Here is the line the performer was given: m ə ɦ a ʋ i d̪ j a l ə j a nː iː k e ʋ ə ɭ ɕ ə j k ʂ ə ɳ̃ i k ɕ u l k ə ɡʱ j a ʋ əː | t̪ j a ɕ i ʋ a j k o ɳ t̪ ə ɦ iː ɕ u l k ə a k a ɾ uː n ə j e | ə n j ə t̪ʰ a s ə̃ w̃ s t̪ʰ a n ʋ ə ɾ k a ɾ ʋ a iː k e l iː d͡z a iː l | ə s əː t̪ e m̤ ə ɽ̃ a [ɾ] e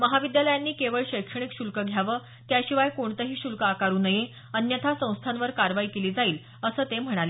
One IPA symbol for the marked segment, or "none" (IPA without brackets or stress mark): l